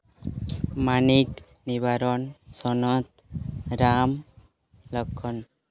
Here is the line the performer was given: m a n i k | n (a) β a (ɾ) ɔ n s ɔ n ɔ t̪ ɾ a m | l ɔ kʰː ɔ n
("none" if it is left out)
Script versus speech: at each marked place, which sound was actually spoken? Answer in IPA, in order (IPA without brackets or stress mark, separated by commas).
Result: i, ɾ